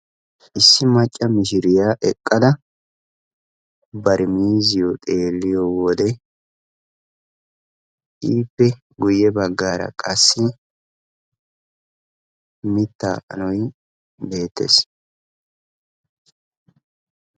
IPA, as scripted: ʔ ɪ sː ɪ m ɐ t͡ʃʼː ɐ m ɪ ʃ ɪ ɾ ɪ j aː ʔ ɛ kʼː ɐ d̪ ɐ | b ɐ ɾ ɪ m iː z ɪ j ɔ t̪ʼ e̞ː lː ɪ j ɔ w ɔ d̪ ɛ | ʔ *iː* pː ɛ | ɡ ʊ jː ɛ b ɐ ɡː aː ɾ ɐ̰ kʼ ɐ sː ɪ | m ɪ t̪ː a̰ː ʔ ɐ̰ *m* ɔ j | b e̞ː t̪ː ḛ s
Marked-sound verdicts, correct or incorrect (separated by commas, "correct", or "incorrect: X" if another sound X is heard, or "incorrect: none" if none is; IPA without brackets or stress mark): correct, incorrect: n